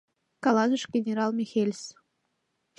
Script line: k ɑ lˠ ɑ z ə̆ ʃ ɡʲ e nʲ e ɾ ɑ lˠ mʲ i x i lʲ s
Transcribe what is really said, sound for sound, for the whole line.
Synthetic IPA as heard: k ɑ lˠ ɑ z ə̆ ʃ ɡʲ e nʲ e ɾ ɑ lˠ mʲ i x e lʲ s